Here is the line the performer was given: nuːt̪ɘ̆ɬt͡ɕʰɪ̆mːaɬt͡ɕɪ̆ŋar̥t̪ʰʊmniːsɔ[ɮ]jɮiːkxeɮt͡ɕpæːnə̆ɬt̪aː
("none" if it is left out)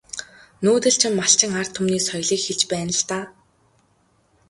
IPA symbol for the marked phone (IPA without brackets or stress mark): none